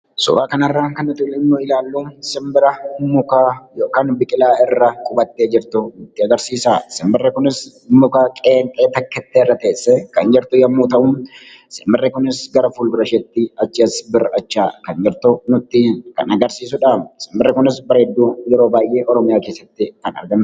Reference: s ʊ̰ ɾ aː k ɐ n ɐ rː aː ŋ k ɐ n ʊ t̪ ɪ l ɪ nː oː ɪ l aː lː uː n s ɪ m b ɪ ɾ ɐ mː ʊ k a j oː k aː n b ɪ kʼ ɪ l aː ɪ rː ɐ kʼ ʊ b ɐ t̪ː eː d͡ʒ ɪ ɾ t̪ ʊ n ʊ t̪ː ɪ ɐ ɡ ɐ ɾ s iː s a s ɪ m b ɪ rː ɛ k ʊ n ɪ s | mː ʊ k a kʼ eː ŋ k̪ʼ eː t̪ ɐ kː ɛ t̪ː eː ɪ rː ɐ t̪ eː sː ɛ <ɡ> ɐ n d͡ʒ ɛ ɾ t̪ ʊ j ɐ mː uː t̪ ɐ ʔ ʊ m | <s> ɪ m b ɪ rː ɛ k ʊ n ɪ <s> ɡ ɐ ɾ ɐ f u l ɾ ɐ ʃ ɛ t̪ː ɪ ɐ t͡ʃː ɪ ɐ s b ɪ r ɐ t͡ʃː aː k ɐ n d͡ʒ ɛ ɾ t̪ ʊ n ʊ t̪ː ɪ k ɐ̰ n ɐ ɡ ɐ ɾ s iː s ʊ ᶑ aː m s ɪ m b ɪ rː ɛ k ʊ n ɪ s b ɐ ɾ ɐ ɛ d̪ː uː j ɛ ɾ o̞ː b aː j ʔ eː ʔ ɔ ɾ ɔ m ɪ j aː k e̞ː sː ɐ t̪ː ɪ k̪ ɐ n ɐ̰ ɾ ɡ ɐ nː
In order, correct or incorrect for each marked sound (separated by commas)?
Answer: incorrect, correct, correct